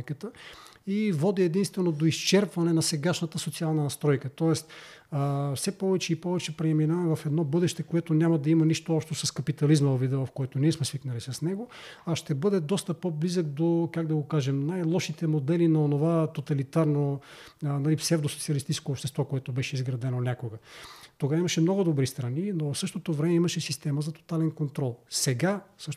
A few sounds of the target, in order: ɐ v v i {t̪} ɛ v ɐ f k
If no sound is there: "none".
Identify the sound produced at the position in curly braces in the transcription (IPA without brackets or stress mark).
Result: d̪